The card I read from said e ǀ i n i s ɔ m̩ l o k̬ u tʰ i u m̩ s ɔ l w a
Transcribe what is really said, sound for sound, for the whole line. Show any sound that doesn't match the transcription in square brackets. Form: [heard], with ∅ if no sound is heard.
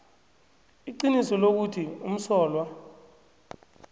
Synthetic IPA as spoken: [i] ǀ i n i s ɔ [∅] l o k̬ u tʰ i u m̩ s [ɔː] l w a